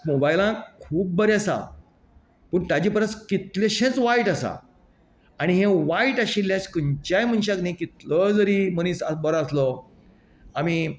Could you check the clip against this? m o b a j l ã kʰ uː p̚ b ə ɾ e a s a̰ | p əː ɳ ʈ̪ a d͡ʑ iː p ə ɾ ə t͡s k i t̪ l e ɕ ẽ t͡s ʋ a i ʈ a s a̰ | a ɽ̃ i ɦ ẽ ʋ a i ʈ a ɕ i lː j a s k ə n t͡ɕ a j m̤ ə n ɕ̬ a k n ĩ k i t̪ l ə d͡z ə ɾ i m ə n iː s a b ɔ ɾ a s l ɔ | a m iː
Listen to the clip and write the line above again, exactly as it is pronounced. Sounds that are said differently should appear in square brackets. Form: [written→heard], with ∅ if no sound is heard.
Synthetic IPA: m o b a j l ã kʰ uː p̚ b ə ɾ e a s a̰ | p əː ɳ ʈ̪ a d͡ʑ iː p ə ɾ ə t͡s k i t̪ l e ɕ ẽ t͡s ʋ a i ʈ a s a̰ | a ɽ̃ i ɦ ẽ ʋ a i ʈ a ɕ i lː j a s k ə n t͡ɕ a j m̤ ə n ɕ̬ a k n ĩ k i t̪ l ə d͡z ə ɾ i m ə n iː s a b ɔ ɾ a s l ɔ | a m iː